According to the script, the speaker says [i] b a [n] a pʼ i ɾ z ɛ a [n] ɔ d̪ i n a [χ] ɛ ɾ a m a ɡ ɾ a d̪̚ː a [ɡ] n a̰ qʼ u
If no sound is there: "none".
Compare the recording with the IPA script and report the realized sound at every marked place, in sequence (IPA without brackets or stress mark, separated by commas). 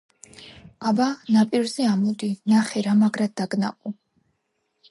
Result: a, n, m, χ, ɡ